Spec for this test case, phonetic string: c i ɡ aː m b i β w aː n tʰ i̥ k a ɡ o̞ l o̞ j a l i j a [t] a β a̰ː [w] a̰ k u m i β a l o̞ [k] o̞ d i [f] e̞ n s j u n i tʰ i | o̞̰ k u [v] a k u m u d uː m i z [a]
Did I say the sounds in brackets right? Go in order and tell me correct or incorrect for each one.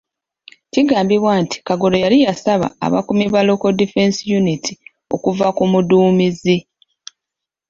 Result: incorrect: s, incorrect: β, correct, correct, correct, incorrect: i

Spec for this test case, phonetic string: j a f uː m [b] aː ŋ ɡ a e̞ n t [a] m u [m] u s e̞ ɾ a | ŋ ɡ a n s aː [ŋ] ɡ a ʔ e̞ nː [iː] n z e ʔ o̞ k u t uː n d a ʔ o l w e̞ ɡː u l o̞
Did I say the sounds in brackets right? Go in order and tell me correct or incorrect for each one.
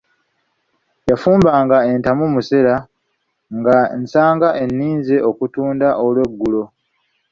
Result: correct, correct, correct, correct, correct

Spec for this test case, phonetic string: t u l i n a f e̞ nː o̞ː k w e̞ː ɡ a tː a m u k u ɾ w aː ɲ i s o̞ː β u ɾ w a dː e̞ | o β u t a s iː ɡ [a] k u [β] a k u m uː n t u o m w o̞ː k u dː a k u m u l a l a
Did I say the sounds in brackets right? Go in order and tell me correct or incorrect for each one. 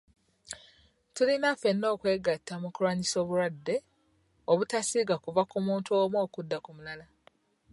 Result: correct, incorrect: v

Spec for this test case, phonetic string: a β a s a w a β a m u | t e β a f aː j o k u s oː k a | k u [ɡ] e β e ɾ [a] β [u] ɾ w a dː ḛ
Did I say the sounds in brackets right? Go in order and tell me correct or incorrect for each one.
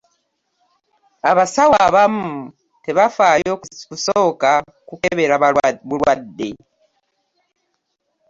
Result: incorrect: k, correct, correct

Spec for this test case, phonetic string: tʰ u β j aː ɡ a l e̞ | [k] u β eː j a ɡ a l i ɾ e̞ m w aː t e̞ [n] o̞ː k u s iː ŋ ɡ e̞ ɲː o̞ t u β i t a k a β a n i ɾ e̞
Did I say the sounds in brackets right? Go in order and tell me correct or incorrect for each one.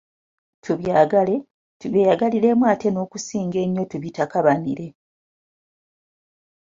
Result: incorrect: t, correct

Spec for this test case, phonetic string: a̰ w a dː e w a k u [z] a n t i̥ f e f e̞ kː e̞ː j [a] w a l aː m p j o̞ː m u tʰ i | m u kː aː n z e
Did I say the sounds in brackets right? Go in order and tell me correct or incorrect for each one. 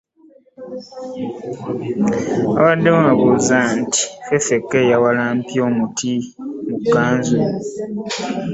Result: correct, correct

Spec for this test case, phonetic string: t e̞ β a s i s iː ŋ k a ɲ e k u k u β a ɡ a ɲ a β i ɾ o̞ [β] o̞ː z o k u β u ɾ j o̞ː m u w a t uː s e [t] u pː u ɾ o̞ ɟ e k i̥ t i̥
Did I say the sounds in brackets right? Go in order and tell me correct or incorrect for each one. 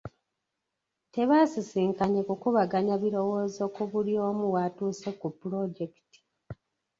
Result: incorrect: w, incorrect: k

